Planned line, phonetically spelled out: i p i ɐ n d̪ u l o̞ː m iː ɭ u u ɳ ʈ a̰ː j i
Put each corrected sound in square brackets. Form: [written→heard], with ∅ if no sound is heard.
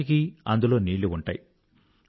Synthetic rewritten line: i [p→k] i ɐ n d̪ u l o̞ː [m→n] iː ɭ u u ɳ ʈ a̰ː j i